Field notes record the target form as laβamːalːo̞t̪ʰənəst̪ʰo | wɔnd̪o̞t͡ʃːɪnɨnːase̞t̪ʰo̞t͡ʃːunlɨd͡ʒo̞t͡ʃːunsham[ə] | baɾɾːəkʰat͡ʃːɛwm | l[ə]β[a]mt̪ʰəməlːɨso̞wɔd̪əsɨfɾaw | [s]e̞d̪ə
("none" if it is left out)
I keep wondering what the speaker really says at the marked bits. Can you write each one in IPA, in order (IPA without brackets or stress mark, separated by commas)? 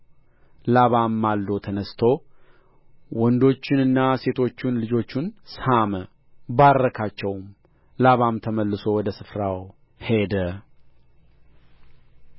ə, a, a, h